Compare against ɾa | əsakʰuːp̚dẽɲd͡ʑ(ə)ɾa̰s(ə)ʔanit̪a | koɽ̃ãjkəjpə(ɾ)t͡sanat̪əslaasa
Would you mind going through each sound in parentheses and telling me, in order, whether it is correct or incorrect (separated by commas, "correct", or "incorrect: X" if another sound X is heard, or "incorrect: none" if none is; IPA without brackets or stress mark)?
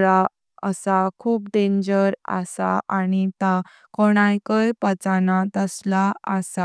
correct, incorrect: a, incorrect: none